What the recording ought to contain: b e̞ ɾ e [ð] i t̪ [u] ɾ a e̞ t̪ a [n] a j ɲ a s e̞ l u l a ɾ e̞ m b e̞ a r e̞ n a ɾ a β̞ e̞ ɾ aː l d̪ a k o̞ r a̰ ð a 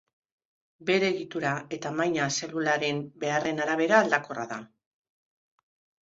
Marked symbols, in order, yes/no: no, yes, no

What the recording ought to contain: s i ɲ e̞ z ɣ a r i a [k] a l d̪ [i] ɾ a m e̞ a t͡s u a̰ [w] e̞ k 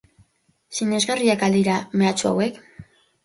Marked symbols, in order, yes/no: yes, yes, yes

